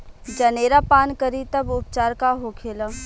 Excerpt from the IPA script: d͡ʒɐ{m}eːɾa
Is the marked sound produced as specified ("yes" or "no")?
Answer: no